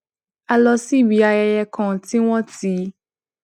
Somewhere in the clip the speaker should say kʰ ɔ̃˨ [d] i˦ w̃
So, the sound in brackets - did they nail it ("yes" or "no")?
no